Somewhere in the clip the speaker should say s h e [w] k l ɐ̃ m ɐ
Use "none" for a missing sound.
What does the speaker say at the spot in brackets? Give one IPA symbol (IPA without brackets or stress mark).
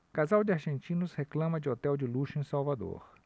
none